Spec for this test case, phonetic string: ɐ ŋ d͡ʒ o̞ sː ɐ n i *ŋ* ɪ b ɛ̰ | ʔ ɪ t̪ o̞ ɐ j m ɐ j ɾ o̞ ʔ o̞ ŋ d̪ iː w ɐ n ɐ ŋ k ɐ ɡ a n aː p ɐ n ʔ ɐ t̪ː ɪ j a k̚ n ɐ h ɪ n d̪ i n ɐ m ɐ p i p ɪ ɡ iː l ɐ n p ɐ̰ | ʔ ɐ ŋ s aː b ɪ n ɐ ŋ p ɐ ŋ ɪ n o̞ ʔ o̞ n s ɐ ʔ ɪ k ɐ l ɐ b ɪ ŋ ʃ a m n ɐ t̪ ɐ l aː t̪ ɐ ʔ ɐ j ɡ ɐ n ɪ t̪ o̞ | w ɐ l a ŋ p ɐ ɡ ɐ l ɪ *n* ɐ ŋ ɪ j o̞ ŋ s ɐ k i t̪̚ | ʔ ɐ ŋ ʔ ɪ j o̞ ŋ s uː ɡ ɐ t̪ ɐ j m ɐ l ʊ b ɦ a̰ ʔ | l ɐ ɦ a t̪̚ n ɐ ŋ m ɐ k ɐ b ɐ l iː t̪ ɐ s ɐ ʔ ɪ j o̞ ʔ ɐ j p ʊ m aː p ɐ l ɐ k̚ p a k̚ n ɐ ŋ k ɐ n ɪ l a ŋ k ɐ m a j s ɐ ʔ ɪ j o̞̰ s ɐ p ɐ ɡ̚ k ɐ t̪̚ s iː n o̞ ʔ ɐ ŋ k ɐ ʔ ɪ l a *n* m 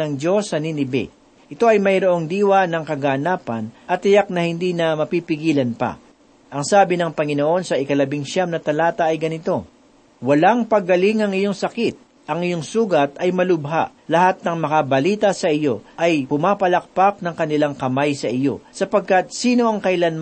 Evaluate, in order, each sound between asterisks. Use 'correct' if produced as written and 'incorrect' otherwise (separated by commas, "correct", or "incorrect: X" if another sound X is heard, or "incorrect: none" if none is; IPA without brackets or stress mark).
incorrect: n, incorrect: ŋ, correct